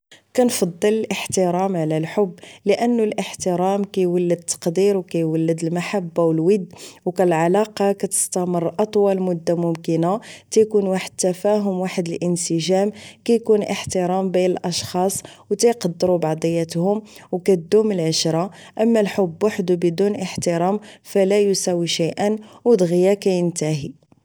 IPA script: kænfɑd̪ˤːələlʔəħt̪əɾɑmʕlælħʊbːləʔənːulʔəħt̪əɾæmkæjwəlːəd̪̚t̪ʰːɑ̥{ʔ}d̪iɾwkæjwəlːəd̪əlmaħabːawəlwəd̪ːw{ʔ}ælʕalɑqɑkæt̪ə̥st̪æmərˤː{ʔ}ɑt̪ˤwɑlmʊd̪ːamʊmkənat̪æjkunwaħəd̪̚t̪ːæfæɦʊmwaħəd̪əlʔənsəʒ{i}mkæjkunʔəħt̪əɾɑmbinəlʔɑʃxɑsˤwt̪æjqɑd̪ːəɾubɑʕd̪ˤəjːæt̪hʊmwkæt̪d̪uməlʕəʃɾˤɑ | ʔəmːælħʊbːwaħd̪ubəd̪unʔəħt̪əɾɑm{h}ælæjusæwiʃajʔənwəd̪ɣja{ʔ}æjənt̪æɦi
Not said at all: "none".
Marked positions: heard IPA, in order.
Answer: q, k, ʔ, æ, f, k

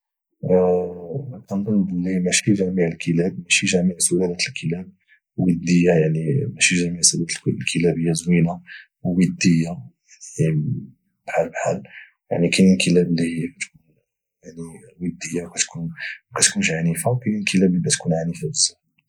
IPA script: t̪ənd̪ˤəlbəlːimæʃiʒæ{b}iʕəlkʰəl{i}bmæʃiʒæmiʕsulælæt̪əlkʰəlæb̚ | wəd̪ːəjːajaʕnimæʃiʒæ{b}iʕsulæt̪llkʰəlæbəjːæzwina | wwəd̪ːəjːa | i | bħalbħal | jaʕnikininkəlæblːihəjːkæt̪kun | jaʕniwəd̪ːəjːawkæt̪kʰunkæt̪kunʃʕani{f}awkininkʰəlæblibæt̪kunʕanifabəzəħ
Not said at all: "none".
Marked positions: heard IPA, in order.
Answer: m, æ, m, f

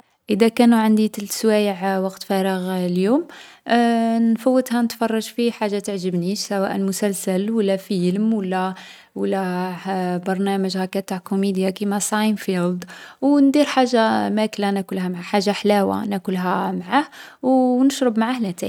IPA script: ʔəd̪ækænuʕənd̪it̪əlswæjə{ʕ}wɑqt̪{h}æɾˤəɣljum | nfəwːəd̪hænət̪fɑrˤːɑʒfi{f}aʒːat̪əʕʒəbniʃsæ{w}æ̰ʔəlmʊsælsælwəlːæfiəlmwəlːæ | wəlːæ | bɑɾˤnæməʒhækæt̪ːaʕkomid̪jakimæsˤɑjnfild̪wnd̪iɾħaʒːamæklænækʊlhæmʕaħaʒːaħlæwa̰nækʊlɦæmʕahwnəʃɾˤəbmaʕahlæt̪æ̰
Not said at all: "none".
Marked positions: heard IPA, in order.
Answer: ʕ, f, ħ, w

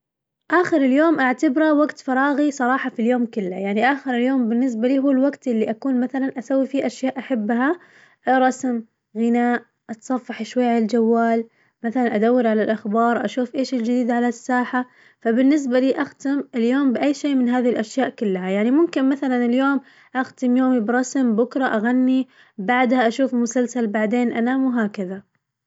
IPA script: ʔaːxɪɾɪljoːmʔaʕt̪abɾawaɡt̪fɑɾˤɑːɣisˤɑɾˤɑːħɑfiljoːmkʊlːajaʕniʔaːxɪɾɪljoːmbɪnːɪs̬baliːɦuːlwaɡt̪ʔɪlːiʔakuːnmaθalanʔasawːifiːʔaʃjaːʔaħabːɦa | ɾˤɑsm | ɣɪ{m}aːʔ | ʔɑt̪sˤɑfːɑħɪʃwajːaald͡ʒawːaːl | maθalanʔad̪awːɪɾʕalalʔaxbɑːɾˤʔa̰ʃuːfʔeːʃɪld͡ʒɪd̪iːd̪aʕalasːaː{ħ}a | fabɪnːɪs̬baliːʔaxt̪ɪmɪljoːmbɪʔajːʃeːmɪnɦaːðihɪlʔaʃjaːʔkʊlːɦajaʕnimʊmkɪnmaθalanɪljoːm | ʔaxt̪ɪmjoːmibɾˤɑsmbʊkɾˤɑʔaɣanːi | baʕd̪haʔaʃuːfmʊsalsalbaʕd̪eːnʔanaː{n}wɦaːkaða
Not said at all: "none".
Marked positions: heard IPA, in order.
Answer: n, ħ, m

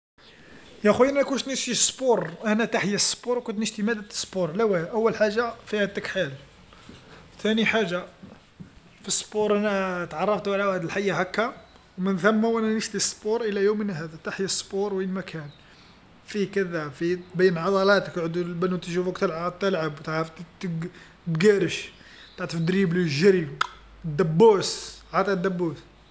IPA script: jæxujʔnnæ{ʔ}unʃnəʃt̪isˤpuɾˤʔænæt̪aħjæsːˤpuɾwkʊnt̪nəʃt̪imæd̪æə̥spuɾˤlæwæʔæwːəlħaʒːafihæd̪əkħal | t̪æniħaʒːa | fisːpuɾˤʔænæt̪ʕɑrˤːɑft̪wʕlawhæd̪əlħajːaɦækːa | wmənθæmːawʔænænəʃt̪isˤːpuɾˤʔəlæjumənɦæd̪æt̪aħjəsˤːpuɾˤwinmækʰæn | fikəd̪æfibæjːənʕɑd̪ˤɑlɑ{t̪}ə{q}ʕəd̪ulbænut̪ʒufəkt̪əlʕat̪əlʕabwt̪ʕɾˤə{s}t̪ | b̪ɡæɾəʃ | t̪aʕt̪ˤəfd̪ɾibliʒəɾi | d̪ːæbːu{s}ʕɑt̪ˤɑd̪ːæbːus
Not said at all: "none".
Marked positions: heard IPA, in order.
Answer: k, t̪, k, f, s

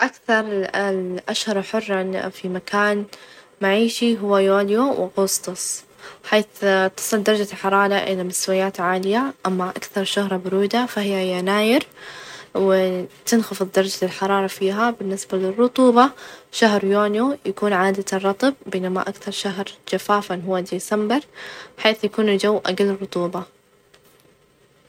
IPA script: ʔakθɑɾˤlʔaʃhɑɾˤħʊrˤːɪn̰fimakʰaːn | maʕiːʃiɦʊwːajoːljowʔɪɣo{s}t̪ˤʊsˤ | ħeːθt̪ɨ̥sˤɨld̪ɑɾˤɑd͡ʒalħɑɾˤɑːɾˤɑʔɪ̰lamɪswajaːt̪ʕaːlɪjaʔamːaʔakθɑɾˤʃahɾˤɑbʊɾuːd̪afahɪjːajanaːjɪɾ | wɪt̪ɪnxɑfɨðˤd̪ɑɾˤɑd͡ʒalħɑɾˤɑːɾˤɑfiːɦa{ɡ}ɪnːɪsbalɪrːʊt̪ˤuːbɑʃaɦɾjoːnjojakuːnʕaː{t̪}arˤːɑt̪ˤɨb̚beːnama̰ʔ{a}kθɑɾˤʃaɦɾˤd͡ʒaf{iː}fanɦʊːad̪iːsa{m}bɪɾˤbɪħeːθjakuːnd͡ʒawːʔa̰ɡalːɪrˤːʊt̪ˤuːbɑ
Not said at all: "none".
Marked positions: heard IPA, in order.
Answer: s, b, d̪, a, aː, m

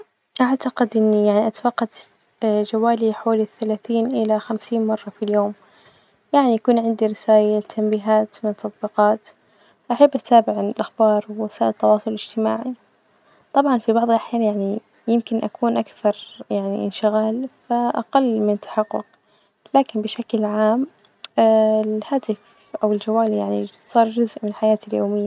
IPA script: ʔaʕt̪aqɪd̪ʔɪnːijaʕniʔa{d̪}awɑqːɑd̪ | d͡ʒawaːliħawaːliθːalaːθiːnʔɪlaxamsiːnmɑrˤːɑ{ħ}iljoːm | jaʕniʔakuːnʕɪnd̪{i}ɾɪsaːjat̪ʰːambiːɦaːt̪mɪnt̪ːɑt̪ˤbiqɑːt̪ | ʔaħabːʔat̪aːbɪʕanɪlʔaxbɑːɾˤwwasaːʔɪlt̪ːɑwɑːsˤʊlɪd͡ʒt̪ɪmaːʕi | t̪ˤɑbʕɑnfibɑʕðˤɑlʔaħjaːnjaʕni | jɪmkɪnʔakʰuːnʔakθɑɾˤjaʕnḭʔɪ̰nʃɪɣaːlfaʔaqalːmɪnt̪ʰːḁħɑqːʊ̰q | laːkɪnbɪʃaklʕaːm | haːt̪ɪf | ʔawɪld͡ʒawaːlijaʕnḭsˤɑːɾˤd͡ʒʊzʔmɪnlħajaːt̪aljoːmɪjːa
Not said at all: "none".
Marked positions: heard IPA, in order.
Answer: t̪, f, i

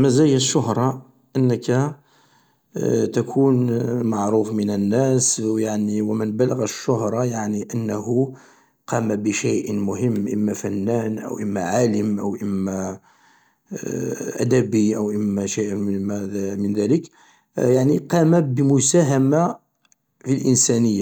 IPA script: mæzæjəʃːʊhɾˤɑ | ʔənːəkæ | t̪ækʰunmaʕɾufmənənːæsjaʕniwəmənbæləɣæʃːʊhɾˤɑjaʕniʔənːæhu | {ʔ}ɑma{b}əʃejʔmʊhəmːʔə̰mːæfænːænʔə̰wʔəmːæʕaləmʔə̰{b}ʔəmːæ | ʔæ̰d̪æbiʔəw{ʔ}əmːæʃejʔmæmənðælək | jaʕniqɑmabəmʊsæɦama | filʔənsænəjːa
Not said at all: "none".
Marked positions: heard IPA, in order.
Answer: q, b, w, ʔ

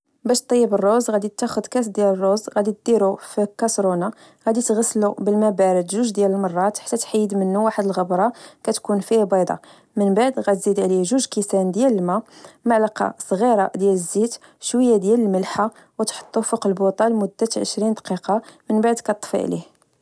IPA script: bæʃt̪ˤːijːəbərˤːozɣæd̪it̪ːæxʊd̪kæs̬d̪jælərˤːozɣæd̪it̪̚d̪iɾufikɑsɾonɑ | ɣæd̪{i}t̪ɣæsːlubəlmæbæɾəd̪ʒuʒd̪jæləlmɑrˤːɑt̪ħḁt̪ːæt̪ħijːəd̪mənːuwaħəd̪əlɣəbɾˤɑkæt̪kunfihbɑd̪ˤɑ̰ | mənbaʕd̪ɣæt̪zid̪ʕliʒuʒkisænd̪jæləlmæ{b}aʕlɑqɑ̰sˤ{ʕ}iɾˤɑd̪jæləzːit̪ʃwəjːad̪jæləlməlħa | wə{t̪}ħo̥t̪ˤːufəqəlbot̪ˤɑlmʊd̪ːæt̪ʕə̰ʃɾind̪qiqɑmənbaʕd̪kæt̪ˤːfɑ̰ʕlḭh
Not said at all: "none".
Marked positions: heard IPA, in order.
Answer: i, m, ɣ, t̪

